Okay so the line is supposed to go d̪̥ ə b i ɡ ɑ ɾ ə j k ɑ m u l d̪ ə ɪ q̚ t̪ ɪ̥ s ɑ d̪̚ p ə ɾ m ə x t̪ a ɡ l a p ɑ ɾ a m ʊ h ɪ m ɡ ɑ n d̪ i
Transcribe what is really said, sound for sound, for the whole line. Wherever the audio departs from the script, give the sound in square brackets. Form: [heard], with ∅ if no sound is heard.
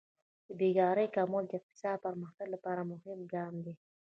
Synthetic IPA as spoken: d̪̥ ə b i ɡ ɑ ɾ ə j k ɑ m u l d̪ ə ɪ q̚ t̪ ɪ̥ s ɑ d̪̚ p ə ɾ m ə x t̪ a ɡ l a p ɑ ɾ a m ʊ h ɪ m ɡ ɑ [m] d̪ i